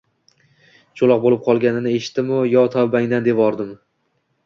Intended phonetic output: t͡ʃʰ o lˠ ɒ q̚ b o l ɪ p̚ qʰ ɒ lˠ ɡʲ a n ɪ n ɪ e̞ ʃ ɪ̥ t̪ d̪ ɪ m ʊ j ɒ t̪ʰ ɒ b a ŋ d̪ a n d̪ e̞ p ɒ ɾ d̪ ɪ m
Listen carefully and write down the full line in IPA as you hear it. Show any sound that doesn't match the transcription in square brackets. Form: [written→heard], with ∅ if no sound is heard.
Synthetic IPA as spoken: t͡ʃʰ o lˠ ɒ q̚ b o l ɪ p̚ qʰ ɒ lˠ ɡʲ a n ɪ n ɪ e̞ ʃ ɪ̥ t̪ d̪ ɪ m ʊ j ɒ t̪ʰ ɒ b a ŋ d̪ a n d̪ e̞ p ɒ ɾ d̪ ɪ m